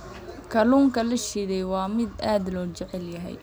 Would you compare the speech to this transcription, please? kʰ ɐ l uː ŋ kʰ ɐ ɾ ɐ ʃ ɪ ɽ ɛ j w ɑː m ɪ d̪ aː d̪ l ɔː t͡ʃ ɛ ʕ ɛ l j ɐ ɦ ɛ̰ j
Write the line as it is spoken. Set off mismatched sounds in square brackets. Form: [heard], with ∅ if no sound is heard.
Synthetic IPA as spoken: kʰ ɐ l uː ŋ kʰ ɐ [l] ɐ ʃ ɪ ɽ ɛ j w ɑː m ɪ d̪ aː d̪ l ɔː t͡ʃ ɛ ʕ ɛ l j ɐ ɦ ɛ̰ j